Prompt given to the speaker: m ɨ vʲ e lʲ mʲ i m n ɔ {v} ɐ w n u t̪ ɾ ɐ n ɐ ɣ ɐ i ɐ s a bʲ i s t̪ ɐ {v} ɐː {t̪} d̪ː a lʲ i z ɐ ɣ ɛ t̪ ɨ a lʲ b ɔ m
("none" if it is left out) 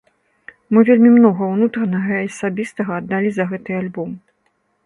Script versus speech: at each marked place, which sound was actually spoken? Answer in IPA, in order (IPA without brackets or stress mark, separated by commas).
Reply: ɣ, ɣ, none